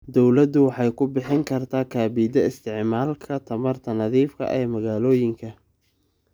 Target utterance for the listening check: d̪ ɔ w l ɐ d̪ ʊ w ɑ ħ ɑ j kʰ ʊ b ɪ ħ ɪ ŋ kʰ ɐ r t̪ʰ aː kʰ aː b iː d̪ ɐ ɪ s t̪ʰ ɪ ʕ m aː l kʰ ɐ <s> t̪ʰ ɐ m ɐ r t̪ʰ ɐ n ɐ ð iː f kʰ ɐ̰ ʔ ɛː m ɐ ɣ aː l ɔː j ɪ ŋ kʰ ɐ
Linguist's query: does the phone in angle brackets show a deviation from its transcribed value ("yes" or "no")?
yes